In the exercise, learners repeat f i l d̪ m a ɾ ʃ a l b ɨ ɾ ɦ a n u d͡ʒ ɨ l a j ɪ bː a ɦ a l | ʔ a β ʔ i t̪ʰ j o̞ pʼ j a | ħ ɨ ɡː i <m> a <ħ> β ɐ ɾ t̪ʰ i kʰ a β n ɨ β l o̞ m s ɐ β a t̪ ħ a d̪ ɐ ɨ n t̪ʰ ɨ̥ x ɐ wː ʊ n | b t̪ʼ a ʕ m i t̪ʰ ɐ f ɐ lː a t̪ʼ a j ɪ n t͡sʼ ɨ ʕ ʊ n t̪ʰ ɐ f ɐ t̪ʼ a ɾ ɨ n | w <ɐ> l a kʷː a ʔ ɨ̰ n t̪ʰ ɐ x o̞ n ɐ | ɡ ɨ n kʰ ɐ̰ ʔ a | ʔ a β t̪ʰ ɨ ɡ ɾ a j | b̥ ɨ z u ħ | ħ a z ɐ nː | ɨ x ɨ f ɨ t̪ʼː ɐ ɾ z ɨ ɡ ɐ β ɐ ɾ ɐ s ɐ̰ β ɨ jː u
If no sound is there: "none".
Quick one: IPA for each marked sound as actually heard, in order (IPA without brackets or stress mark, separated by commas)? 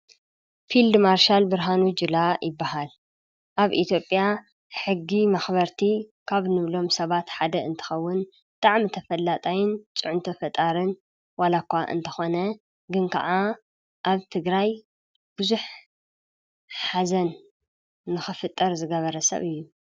m, x, a